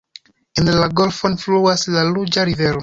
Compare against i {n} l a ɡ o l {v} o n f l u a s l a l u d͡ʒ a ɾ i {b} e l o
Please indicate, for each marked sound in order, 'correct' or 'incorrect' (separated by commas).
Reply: correct, incorrect, incorrect